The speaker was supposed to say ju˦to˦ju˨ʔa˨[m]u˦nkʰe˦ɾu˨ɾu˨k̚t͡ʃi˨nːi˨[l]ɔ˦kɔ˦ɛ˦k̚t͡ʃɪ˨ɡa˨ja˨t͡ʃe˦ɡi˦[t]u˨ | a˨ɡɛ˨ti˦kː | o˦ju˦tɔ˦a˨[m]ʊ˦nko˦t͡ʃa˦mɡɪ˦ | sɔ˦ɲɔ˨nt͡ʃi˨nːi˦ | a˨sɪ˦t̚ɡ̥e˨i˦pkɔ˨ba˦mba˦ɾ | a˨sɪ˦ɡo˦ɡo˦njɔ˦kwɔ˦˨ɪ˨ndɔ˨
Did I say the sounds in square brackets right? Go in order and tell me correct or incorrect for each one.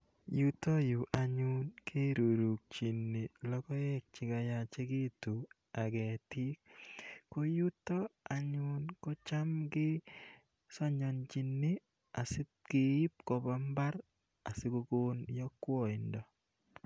incorrect: ɲ, correct, correct, incorrect: ɲ

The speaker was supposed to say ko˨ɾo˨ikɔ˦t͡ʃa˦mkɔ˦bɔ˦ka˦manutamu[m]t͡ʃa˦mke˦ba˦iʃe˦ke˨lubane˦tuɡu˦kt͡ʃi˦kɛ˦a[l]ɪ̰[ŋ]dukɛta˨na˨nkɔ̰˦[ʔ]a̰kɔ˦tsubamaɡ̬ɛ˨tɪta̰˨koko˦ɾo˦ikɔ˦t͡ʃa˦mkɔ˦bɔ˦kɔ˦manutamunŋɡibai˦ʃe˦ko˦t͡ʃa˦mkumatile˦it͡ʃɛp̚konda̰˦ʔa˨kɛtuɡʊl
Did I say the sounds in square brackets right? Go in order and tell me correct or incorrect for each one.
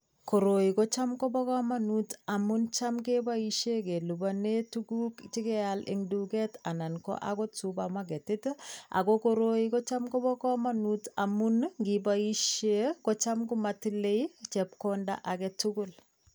incorrect: n, correct, correct, correct

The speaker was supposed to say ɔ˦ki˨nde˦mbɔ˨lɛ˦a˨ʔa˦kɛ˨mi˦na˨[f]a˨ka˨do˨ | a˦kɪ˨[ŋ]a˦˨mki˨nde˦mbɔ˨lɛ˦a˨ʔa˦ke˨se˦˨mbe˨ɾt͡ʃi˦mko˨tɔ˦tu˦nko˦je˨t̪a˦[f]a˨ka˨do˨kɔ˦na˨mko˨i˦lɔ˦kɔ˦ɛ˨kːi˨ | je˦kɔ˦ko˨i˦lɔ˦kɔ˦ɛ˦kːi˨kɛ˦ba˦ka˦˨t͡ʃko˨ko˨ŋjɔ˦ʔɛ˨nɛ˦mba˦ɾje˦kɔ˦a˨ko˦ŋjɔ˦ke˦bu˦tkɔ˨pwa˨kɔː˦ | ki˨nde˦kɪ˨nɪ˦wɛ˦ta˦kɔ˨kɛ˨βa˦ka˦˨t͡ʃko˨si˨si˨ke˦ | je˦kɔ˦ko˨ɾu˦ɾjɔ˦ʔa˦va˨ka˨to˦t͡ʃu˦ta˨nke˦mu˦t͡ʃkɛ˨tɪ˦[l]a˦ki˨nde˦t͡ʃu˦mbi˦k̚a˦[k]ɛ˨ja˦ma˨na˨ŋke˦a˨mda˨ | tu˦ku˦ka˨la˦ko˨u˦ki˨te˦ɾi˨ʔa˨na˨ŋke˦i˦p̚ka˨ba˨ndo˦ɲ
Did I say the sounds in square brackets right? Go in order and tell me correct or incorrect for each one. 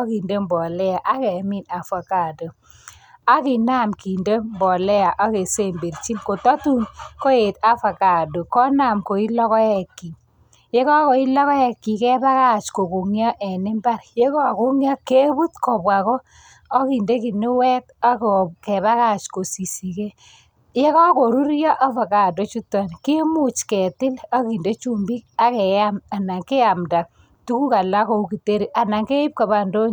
correct, incorrect: n, correct, correct, correct

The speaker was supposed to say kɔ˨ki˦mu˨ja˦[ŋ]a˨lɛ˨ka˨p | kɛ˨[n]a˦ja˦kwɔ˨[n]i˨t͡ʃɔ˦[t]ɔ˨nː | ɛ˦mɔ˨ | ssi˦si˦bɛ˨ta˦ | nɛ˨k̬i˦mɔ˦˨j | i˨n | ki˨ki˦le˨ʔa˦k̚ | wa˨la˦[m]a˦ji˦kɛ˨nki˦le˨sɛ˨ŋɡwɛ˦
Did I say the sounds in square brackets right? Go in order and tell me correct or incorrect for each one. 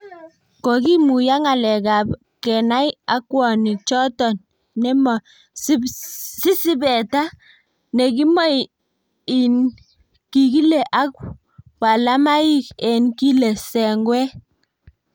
correct, correct, correct, correct, correct

